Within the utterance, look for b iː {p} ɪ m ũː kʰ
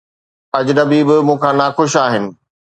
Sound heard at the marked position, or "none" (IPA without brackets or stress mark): b